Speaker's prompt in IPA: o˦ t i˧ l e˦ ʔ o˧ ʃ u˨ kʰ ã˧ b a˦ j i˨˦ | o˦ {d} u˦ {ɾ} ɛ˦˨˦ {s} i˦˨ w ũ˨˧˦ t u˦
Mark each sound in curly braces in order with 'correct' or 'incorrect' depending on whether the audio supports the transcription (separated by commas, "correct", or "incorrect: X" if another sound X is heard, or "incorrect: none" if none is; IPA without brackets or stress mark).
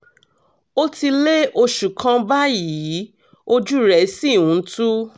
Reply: incorrect: d͡ʒ, correct, correct